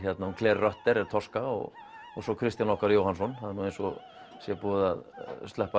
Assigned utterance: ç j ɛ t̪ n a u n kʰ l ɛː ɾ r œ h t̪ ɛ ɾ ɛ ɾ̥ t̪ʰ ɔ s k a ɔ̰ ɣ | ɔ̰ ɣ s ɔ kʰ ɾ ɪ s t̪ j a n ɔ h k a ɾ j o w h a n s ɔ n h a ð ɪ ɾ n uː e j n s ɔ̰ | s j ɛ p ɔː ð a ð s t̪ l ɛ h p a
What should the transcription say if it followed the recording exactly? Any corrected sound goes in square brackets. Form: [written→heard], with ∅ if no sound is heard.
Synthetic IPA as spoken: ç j ɛ t̪ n a u n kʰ l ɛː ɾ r œ h t̪ ɛ ɾ ɛ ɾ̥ t̪ʰ ɔ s k a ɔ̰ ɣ | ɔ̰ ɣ s ɔ kʰ ɾ ɪ s t̪ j a n ɔ h k a ɾ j o w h a n s ɔ n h a ð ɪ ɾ n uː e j n s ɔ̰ | s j ɛ p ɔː ð a ð s t̪ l ɛ h p a